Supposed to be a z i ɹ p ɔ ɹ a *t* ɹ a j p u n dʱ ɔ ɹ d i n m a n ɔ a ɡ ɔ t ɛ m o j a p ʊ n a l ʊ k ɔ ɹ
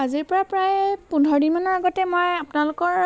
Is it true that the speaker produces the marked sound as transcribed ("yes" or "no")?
no